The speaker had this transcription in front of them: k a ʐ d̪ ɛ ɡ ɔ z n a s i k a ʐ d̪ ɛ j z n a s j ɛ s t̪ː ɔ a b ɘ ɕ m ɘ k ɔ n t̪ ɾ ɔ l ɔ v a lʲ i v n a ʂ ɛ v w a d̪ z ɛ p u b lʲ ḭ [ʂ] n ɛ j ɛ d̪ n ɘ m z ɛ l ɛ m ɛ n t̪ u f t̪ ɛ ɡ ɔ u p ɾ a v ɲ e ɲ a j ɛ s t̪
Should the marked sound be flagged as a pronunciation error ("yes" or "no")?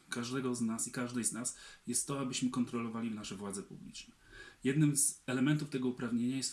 yes